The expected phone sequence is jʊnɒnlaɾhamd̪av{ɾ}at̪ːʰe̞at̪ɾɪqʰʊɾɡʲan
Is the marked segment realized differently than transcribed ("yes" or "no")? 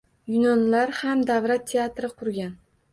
no